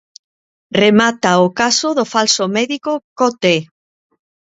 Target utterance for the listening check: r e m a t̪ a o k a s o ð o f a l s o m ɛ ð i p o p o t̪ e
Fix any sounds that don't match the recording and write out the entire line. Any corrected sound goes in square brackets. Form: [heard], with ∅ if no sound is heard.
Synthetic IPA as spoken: r e m a t̪ a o k a s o ð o f a l s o m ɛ ð i [k] o [k] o t̪ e